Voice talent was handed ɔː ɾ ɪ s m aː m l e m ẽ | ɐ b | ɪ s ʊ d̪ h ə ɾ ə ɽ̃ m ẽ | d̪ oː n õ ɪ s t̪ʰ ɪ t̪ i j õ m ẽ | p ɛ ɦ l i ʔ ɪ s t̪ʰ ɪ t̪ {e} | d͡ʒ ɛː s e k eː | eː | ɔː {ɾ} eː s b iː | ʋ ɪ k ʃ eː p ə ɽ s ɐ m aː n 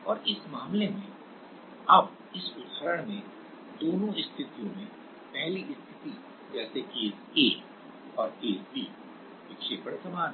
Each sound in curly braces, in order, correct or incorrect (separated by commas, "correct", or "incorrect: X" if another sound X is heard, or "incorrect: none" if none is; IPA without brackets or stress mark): incorrect: i, correct